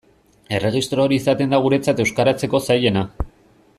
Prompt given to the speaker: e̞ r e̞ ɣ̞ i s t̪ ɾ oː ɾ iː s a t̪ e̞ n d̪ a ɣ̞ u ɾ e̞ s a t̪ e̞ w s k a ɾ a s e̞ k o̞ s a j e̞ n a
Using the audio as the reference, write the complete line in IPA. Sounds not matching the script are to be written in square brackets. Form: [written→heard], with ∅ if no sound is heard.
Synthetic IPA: e̞ r e̞ ɣ̞ i s t̪ ɾ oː ɾ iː s a t̪ e̞ n d̪ a ɣ̞ u ɾ e̞ [s→t͡s] a t̪ e̞ w s k a ɾ a [s→t͡s] e̞ k o̞ s a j e̞ n a